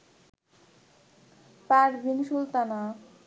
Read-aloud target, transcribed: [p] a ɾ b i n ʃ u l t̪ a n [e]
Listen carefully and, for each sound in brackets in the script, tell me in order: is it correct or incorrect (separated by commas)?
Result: correct, incorrect